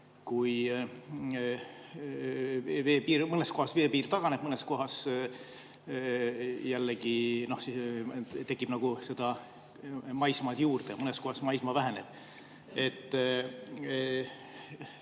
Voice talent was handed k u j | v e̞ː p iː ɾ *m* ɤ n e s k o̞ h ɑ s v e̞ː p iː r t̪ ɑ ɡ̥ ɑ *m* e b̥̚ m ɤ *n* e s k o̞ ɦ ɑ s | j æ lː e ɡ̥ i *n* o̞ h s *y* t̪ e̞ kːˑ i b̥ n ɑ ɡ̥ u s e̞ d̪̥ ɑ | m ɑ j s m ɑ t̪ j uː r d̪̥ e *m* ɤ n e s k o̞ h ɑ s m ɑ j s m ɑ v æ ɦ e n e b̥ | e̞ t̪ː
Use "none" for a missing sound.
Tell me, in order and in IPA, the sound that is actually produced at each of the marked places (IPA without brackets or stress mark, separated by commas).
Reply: m, n, n, n, i, m